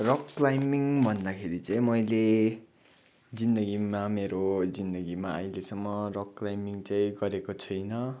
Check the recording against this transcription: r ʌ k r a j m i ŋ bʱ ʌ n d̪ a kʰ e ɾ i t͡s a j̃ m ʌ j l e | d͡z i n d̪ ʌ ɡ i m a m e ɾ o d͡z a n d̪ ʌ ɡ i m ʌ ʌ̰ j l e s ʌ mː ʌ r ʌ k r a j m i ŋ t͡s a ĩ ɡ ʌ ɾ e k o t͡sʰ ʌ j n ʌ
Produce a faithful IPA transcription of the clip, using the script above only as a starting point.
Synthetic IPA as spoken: r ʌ k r a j m i ŋ bʱ ʌ n d̪ a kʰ e ɾ i t͡s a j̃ m ʌ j l e | d͡z i n d̪ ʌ ɡ i m a m e ɾ o d͡z i n d̪ ʌ ɡ i m a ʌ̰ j l e s ʌ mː ʌ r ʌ k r a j m i ŋ t͡s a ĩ ɡ ʌ ɾ e k o t͡sʰ ʌ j n ʌ